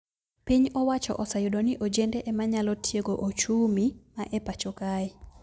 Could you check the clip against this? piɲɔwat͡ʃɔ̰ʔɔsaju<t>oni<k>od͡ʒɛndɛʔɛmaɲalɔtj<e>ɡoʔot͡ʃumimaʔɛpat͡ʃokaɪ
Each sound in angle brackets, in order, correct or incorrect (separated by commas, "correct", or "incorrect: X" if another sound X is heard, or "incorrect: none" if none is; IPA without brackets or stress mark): incorrect: d, incorrect: ʔ, correct